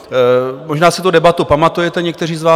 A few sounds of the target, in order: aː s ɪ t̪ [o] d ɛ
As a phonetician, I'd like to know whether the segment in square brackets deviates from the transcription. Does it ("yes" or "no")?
yes